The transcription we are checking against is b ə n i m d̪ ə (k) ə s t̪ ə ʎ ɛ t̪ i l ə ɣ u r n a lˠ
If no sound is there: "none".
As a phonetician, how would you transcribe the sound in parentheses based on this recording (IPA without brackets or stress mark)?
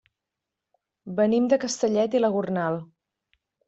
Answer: k